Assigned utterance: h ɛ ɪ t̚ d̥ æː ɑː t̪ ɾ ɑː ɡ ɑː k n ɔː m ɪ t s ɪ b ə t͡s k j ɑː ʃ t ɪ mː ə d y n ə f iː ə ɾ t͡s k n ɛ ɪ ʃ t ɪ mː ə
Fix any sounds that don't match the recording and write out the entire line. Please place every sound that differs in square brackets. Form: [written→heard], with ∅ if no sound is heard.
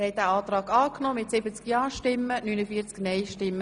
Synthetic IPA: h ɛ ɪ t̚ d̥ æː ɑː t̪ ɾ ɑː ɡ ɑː k n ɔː m ɪ t s ɪ b ə t͡s k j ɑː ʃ t ɪ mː ə [d→n] y n ə f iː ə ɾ t͡s k n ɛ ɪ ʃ t ɪ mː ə